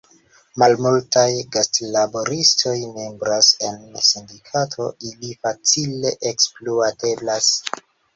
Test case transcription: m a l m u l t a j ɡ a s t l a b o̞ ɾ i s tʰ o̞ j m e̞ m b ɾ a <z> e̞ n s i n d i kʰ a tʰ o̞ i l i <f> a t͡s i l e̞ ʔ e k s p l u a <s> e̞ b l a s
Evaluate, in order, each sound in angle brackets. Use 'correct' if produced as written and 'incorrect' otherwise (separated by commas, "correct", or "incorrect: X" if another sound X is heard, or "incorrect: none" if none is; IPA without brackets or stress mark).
incorrect: s, correct, incorrect: t